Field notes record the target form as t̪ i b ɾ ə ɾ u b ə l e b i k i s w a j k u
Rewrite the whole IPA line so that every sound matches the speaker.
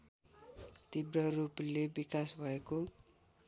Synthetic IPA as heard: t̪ i b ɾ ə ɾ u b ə l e b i k a s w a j k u